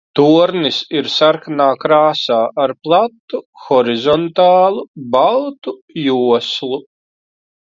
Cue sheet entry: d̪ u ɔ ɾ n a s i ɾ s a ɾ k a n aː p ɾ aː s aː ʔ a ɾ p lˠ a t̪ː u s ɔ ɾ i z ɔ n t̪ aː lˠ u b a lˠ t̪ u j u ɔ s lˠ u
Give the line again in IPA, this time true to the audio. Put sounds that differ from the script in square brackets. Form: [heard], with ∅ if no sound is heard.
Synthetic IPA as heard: [t̪] u ɔ ɾ n [i] s i ɾ s a ɾ k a n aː [k] ɾ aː s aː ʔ a ɾ p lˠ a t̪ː u [x] ɔ ɾ i z ɔ n t̪ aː lˠ u b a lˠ t̪ u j u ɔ s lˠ u